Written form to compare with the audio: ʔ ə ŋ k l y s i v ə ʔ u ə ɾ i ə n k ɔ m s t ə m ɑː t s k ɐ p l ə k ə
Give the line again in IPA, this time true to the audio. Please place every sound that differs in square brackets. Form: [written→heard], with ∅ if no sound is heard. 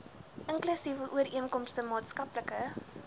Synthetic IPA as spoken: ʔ ə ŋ k l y s i v ə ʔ u ə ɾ i ə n k ɔ m s t ə m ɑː t s k ɐ p l ə k ə